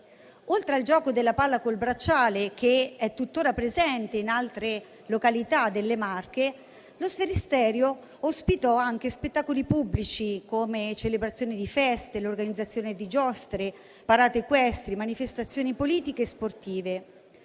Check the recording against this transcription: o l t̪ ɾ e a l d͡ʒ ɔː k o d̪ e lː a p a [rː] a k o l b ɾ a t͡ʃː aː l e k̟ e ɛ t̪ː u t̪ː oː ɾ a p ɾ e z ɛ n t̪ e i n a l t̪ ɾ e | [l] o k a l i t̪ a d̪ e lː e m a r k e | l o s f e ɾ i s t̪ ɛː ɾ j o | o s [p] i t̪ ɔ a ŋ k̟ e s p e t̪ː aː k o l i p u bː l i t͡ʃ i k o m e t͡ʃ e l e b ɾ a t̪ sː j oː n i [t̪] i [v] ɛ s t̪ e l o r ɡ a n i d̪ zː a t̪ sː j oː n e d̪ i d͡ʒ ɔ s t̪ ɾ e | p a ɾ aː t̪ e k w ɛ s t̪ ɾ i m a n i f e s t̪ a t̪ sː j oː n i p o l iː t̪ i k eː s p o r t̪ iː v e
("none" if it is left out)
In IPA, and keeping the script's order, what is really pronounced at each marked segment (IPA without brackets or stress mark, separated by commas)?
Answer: lː, l, p, d̪, f